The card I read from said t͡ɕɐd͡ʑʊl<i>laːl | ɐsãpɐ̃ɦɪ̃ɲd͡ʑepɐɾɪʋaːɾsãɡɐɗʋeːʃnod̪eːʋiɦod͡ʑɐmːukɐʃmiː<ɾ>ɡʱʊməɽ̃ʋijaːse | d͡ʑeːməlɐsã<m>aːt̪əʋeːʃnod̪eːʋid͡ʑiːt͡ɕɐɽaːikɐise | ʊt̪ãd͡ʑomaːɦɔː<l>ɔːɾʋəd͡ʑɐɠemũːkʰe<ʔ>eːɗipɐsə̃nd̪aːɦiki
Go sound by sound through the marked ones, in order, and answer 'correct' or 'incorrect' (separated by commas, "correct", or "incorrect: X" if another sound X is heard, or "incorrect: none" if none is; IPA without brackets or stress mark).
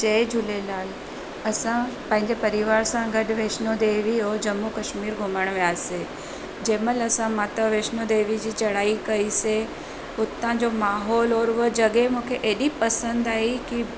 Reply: incorrect: e, correct, correct, correct, correct